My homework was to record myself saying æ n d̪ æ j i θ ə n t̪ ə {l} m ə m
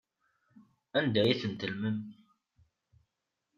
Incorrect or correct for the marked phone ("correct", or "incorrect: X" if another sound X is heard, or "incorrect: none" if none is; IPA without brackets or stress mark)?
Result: correct